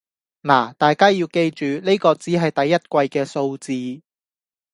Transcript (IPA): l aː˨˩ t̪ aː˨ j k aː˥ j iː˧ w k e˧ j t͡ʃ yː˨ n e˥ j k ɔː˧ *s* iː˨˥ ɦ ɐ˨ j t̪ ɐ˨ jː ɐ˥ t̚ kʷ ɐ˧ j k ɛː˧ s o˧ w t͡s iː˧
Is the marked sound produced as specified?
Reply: no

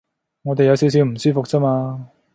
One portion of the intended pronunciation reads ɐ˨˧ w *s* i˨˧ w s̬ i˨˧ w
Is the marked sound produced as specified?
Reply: yes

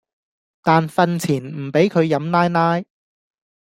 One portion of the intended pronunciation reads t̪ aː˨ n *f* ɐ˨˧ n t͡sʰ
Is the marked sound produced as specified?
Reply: yes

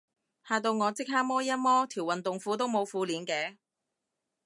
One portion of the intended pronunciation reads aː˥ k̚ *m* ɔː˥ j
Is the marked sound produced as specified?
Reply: yes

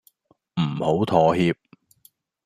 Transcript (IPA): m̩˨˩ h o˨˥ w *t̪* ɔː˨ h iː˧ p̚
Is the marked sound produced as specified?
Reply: no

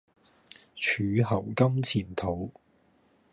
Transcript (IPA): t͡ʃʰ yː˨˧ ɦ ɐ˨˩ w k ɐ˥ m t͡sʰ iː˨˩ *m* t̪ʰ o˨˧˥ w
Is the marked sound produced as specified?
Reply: no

